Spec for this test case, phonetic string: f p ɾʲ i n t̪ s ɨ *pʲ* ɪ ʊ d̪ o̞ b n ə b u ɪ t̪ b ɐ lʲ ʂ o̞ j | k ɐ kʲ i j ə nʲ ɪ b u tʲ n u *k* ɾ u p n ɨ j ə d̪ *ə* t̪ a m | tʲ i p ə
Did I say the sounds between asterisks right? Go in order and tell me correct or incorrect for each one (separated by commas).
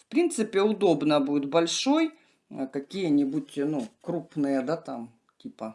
correct, correct, incorrect